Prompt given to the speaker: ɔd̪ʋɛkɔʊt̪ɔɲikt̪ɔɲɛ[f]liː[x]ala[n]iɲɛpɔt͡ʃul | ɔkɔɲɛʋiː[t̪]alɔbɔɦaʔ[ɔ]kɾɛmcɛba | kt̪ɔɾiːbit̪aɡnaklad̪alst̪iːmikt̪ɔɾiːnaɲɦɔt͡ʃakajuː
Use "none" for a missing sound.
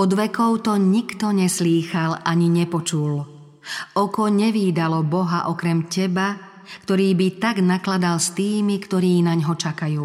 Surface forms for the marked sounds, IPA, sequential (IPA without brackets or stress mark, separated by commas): s, x, ɲ, d̪, ɔ